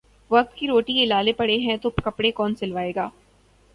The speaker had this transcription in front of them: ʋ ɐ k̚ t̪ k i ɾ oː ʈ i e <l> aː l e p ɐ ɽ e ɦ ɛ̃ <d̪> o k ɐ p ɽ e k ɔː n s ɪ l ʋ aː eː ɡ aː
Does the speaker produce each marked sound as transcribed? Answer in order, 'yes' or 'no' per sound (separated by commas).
yes, no